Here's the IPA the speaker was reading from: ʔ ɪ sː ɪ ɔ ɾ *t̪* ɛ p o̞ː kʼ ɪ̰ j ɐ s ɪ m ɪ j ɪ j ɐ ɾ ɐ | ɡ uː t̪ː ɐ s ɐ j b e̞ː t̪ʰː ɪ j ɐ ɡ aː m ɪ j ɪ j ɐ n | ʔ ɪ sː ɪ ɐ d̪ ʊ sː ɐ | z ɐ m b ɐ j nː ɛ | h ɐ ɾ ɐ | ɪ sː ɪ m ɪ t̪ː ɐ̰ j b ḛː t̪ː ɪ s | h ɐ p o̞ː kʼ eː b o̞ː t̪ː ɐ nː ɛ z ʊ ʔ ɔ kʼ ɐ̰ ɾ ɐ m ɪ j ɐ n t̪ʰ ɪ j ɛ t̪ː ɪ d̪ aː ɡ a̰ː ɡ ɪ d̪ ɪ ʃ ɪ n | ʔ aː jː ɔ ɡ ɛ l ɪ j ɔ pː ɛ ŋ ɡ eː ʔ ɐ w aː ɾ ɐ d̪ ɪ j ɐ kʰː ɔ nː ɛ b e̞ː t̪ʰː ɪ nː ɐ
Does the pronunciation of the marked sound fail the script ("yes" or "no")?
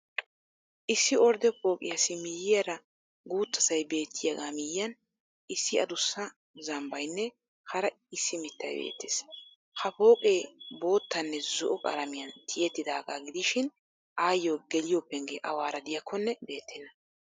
yes